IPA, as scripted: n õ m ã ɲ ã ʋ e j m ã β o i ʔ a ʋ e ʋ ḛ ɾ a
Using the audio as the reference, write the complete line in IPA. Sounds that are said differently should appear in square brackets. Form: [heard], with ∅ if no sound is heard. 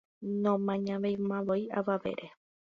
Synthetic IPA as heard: n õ m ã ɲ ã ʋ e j m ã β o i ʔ a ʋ [a] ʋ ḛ ɾ [e]